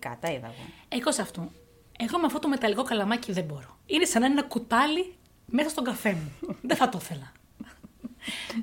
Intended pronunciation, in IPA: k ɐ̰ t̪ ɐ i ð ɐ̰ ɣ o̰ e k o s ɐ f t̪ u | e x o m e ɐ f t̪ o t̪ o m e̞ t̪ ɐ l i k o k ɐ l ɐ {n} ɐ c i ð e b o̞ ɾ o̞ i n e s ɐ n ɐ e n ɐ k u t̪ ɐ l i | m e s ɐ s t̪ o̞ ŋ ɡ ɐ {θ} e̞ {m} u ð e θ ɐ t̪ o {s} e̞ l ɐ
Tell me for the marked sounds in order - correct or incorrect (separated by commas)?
incorrect, incorrect, correct, incorrect